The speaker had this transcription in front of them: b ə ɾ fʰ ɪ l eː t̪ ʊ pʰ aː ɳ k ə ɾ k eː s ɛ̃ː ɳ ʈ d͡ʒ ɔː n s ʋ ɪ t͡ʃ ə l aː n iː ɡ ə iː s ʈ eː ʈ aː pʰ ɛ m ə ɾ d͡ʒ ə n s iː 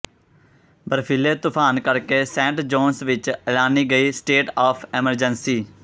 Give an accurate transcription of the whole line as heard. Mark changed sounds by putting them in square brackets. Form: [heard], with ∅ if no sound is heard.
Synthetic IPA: b ə ɾ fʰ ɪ l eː t̪ ʊ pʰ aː [n] k ə ɾ k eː s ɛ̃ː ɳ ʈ d͡ʒ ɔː n s ʋ ɪ t͡ʃ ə l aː n iː ɡ ə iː s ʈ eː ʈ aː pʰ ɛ m ə ɾ d͡ʒ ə n s iː